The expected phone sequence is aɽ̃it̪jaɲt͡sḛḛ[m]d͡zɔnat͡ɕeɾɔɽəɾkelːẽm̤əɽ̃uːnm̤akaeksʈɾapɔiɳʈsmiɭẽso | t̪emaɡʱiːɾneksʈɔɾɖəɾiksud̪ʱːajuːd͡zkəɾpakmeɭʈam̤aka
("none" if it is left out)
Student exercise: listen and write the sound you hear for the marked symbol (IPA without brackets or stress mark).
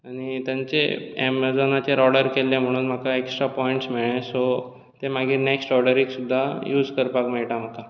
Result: m